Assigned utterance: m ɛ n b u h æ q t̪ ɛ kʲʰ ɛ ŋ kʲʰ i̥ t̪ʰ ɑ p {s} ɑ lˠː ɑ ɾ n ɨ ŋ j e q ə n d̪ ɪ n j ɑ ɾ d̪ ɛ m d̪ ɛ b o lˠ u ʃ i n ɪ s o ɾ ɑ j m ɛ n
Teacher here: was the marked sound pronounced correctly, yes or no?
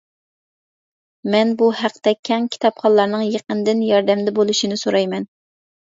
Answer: no